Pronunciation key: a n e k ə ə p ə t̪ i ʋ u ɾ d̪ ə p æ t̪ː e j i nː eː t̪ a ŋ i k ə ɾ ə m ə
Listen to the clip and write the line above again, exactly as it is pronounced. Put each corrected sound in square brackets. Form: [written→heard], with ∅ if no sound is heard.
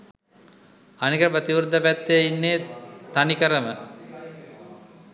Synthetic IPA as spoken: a n [e→i] k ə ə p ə t̪ i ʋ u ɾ d̪ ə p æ t̪ː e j i nː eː t̪ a [ŋ→n] i k ə ɾ ə m ə